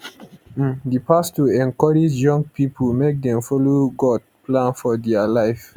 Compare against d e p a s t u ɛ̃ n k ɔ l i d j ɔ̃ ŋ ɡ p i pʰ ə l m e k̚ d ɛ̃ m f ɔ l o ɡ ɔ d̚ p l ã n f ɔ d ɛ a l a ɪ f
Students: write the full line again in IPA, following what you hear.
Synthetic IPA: d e p a s t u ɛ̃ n k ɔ ɹ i d͡ʒ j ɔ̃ ŋ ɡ p i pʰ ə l m e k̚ d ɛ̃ m f ɔ l o ɡ ɔ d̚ p l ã n f ɔ d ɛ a l a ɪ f